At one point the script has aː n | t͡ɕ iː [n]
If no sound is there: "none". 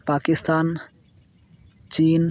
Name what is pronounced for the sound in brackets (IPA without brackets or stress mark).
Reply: n